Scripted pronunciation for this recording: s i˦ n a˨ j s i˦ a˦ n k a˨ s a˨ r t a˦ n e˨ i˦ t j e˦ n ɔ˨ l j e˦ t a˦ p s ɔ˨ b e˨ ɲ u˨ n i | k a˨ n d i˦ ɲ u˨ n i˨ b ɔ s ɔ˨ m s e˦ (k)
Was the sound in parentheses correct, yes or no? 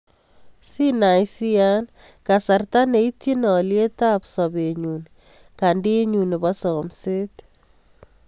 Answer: no